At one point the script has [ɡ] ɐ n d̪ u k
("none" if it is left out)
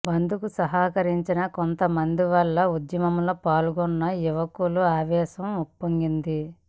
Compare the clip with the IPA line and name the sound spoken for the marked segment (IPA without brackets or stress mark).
b